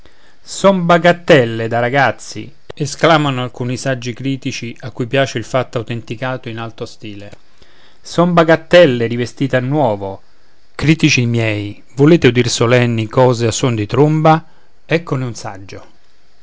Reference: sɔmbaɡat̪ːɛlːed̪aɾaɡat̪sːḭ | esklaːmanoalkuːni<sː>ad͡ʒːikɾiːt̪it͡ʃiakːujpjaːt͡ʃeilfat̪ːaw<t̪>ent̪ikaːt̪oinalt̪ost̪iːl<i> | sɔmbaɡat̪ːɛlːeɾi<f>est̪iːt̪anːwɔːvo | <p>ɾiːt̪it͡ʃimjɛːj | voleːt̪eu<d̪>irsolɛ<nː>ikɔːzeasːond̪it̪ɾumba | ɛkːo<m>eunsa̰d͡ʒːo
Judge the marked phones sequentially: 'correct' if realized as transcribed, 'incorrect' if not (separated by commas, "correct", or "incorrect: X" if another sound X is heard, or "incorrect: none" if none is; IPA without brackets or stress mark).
incorrect: s, correct, incorrect: e, incorrect: v, incorrect: k, correct, correct, incorrect: n